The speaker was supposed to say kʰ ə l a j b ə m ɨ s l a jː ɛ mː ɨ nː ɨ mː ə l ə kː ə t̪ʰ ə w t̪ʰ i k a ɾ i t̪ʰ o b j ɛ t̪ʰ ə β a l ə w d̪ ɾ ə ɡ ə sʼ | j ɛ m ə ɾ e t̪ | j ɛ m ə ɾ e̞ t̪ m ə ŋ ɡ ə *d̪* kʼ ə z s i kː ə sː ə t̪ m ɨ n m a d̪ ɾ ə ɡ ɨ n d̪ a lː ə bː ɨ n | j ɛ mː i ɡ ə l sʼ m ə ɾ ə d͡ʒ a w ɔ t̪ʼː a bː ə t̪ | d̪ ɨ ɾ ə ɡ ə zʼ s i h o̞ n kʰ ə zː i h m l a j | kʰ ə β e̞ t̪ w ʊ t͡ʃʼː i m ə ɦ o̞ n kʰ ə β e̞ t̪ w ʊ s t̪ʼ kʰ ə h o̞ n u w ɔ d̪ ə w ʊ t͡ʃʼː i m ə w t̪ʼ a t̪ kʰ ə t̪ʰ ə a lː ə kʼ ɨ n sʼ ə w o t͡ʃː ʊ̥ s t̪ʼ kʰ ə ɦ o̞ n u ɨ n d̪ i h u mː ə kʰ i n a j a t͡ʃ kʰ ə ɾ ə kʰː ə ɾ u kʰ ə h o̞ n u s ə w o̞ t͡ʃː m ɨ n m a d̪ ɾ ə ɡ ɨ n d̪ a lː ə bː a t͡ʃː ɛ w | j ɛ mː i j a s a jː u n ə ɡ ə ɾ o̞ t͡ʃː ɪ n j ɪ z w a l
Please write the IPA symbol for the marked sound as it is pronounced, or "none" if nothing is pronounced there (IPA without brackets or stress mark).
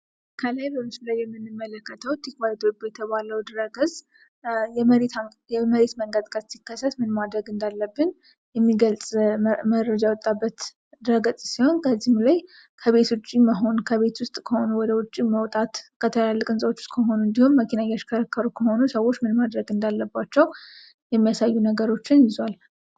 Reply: d̪